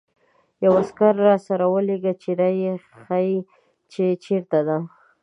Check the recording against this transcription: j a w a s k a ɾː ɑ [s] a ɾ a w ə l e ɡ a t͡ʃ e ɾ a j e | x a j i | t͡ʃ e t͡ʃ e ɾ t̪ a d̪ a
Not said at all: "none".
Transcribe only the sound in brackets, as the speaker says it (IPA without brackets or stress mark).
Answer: s